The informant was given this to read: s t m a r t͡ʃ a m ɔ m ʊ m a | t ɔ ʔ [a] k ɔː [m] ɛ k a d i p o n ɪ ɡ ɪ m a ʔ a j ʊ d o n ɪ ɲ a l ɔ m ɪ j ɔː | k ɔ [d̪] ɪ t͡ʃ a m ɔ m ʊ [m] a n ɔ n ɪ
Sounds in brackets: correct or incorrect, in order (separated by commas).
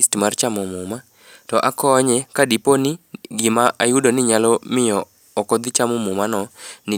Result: correct, incorrect, correct, correct